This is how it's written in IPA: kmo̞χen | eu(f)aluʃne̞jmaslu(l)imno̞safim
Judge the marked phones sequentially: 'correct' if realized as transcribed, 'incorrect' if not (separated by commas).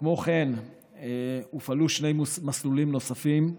correct, correct